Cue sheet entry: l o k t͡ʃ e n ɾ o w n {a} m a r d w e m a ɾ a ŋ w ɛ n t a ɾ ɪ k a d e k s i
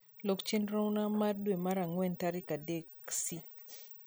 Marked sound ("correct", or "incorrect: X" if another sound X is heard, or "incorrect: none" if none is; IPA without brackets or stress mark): correct